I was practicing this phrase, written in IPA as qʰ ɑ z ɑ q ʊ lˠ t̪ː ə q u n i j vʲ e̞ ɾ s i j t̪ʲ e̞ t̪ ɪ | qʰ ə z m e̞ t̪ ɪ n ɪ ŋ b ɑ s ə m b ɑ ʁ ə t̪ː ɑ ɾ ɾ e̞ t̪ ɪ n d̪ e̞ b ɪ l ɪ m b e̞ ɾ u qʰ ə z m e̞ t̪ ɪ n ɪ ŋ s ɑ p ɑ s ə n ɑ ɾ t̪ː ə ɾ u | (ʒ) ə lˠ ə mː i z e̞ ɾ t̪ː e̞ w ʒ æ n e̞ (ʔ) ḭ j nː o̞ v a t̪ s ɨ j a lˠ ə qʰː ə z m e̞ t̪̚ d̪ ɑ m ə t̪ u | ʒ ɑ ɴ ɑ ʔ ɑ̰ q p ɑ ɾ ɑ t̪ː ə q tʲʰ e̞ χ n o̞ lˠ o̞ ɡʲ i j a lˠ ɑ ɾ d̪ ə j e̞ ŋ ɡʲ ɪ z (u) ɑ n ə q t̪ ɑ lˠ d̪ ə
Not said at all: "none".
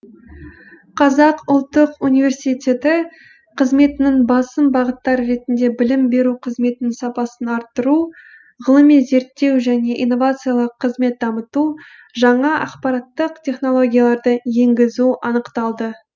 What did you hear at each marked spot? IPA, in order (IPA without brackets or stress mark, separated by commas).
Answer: ʁ, ʔ, u